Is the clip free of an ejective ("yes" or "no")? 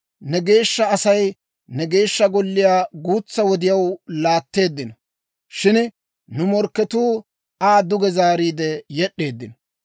yes